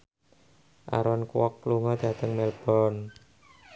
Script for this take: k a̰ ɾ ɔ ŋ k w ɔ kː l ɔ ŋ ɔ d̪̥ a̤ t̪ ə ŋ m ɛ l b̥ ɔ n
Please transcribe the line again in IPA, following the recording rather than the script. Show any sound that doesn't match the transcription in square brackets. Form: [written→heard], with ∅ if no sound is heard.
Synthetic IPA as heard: [k→ʔ] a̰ ɾ ɔ [ŋ→n] k w ɔ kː l [ɔ→u] ŋ ɔ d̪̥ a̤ t̪ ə ŋ m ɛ l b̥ ɔ n